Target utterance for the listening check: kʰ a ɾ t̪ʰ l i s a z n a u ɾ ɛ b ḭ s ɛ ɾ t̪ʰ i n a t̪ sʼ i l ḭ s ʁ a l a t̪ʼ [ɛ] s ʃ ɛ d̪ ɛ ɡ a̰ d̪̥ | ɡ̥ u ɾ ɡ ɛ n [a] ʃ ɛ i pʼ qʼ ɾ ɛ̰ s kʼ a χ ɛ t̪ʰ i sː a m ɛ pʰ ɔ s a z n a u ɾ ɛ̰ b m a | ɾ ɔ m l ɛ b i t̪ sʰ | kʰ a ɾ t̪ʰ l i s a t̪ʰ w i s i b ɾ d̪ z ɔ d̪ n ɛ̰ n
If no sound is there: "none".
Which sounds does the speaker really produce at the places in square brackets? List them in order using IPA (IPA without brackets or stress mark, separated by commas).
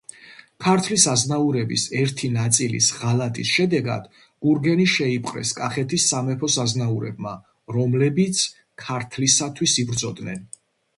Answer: i, i